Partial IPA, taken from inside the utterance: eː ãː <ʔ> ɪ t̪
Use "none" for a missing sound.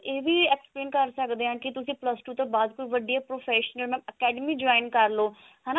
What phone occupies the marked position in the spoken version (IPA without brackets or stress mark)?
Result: k